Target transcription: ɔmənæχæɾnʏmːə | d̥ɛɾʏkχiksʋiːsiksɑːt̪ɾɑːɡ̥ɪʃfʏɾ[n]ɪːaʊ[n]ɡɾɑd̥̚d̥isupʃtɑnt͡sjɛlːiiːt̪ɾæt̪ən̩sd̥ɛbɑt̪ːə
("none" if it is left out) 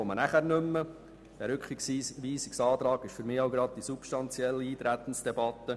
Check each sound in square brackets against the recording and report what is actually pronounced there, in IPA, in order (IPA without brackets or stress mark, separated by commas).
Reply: m, none